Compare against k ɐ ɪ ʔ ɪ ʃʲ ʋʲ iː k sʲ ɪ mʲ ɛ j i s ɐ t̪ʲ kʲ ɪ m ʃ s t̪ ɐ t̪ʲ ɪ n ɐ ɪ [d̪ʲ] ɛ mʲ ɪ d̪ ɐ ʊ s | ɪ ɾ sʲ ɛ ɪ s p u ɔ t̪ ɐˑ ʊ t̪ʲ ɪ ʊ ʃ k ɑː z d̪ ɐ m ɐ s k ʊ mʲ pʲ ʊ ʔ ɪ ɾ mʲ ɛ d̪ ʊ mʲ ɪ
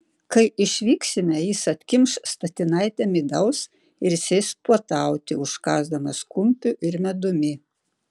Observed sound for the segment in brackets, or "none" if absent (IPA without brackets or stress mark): t̪ʲ